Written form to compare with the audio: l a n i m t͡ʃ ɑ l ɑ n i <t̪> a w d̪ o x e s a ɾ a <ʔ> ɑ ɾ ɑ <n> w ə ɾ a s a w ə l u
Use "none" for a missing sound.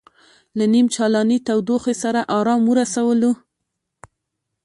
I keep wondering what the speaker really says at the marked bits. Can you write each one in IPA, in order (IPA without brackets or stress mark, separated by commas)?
t̪, ʔ, m